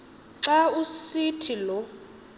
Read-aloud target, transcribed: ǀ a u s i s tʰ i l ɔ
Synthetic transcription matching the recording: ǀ a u s i tʰ i l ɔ